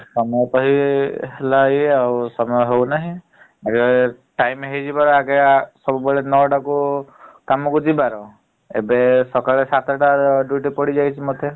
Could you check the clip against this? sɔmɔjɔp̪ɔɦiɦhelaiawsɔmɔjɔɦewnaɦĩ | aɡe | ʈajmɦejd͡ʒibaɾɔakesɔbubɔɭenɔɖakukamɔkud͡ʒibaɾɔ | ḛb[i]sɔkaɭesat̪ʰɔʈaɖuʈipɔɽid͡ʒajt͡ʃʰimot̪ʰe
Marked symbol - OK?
no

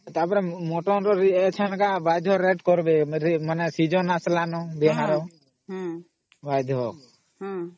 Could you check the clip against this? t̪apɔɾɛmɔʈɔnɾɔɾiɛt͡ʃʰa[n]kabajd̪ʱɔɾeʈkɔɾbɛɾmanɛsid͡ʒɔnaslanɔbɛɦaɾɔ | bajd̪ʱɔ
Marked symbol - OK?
yes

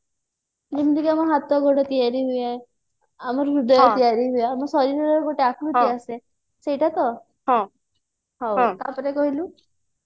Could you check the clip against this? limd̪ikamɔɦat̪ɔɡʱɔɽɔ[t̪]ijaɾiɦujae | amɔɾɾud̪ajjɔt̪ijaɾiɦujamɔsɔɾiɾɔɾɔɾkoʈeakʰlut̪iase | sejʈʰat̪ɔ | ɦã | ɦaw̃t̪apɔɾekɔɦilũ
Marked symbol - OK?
yes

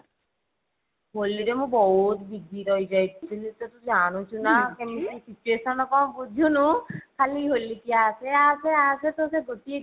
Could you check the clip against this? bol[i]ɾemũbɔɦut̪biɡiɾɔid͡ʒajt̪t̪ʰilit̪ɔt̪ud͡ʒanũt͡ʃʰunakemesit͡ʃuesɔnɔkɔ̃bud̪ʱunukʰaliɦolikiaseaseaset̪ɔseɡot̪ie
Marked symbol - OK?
yes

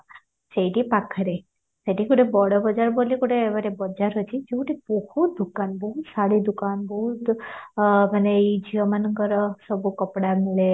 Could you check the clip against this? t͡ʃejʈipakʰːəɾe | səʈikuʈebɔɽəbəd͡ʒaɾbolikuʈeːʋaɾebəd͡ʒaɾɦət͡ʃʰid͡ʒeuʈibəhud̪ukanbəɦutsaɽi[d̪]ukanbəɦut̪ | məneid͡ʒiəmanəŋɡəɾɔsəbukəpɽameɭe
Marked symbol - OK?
yes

